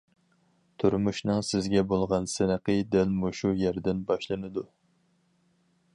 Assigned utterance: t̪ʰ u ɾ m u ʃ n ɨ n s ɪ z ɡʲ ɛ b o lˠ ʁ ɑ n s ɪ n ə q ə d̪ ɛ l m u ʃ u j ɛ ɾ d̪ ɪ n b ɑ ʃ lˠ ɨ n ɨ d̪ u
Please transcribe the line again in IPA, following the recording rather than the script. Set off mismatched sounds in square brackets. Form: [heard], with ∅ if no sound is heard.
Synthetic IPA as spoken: t̪ʰ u ɾ m u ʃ n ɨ [ŋ] s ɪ z ɡʲ ɛ b o lˠ ʁ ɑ n s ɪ n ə q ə d̪ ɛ l m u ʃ u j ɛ ɾ d̪ ɪ n b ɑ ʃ lˠ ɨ n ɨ d̪ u